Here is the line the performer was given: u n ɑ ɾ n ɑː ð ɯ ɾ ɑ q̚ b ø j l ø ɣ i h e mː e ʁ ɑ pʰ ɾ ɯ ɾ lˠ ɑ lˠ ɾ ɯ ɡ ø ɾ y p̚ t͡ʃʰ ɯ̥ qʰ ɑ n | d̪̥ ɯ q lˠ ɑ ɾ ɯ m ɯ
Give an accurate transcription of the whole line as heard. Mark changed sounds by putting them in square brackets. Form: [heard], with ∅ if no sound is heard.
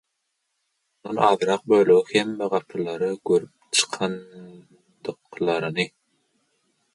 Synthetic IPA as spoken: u n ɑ [∅] n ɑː ð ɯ ɾ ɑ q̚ b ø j l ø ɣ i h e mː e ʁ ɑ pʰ ɾ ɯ [∅] lˠ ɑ [∅] ɾ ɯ ɡ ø ɾ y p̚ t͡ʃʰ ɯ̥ qʰ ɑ n | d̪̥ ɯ q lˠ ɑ ɾ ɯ [n] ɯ